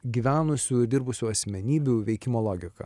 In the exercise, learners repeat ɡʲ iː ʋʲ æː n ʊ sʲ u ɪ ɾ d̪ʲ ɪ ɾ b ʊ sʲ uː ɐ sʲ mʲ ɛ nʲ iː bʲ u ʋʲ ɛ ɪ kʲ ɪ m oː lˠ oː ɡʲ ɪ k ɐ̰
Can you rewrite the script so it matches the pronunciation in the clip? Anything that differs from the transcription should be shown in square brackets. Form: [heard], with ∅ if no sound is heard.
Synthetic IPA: ɡʲ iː ʋʲ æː n ʊ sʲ u ɪ ɾ d̪ʲ ɪ ɾ b ʊ sʲ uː ɐ sʲ mʲ ɛ nʲ iː bʲ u ʋʲ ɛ ɪ kʲ ɪ m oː lˠ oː ɡʲ ɪ k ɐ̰

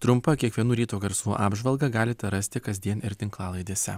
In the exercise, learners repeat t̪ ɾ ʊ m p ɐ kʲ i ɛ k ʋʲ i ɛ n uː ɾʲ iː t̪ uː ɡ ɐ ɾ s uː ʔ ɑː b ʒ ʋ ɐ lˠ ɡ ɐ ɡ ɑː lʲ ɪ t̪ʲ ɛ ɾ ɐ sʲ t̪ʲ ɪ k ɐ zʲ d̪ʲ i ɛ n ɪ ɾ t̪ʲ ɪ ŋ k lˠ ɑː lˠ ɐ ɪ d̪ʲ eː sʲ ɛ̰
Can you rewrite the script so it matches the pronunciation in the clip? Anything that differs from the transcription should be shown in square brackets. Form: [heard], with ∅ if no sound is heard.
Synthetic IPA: t̪ ɾ ʊ m p ɐ kʲ i ɛ k ʋʲ i ɛ n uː ɾʲ iː t̪ uː ɡ ɐ ɾ s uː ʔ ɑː b ʒ ʋ ɐ lˠ ɡ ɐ ɡ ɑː lʲ ɪ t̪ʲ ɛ ɾ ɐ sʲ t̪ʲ ɪ k ɐ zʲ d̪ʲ i ɛ n ɪ ɾ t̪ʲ ɪ ŋ k lˠ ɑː lˠ ɐ ɪ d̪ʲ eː sʲ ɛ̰

